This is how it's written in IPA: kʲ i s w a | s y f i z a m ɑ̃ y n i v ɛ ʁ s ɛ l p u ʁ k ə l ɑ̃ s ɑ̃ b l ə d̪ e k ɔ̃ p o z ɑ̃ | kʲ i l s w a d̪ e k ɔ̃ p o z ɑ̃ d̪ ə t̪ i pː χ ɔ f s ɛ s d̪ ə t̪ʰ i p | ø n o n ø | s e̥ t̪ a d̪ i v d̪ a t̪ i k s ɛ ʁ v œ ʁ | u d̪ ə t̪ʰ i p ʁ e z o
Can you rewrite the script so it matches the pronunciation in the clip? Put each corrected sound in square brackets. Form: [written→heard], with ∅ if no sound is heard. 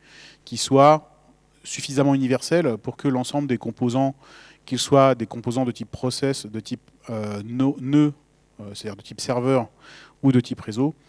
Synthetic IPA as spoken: kʲ i s w a | s y f i z a m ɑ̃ y n i v ɛ ʁ s ɛ l p u ʁ k ə l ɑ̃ s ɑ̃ b l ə d̪ e k ɔ̃ p o z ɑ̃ | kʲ i l s w a d̪ e k ɔ̃ p o z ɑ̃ d̪ ə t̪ i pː χ ɔ [f→∅] s ɛ s d̪ ə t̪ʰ i p | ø n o n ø | s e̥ t̪ a d̪ i [v→ʁ] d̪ [a→ə] t̪ i [k→p] s ɛ ʁ v œ ʁ | u d̪ ə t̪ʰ i p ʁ e z o